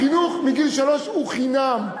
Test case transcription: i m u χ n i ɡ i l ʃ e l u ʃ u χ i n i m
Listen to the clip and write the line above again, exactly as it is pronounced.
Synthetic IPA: i n u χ m i ɡ i l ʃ a l o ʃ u χ i n a m